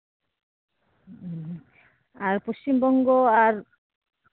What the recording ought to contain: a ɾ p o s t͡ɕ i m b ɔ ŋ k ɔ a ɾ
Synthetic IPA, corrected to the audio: a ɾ p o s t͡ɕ i m b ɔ ŋ ɡ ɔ a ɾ